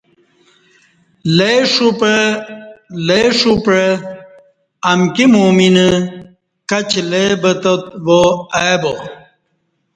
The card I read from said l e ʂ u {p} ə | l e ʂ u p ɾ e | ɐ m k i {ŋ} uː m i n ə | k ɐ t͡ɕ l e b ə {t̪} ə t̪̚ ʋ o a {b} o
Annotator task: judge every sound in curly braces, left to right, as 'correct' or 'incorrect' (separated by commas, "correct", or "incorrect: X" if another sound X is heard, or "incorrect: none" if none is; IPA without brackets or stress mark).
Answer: correct, incorrect: m, correct, correct